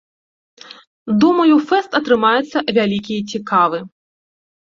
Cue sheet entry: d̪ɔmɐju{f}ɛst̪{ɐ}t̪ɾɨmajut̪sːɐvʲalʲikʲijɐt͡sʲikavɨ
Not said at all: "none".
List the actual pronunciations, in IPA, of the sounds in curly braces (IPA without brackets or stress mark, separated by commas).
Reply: f, ɐ